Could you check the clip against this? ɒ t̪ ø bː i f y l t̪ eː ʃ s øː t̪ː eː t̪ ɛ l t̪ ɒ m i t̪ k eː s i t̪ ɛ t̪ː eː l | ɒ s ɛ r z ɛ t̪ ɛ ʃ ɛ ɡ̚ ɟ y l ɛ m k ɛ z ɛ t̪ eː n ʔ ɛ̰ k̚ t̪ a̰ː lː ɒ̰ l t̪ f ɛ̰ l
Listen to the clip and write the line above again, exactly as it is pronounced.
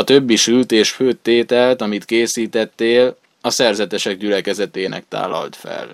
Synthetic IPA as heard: ɒ t̪ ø bː i ʃ y l t̪ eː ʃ f øː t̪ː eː t̪ ɛ l t̪ ɒ m i t̪ k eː s iː t̪ ɛ t̪ː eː l | ɒ s ɛ r z ɛ t̪ ɛ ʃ ɛ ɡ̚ ɟ y l ɛ k ɛ z ɛ t̪ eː n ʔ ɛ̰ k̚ t̪ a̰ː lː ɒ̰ l t̪ f ɛ̰ l